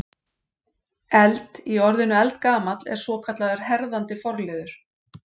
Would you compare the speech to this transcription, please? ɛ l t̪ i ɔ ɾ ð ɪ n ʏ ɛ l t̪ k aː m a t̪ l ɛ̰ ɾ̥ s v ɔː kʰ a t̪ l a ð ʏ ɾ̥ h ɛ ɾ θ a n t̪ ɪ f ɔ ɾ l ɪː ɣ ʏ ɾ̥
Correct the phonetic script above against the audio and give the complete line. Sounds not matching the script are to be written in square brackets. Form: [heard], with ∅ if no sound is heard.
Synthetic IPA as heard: ɛ l t̪ i ɔ ɾ ð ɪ n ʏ ɛ l t̪ k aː m a t̪ l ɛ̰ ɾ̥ s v ɔː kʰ a t̪ l a ð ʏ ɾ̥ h ɛ ɾ [ð] a n t̪ ɪ f ɔ ɾ l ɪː [ð] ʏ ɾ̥